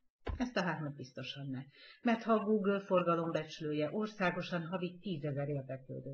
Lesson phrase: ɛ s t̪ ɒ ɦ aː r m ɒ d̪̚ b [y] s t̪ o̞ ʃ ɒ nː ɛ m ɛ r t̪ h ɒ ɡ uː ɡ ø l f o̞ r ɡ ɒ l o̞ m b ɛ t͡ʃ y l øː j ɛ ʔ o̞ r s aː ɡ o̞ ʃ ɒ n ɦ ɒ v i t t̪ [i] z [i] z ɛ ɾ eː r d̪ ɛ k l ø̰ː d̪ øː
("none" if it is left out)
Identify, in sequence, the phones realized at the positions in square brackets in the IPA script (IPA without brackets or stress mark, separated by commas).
i, iː, ɛ